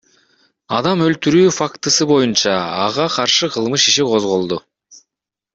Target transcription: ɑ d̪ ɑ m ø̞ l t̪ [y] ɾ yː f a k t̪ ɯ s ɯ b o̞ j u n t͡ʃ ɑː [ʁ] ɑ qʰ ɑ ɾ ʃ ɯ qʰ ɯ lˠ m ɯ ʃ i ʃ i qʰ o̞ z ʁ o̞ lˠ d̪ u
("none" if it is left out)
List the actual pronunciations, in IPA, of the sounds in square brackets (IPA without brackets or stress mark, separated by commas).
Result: y, ʁ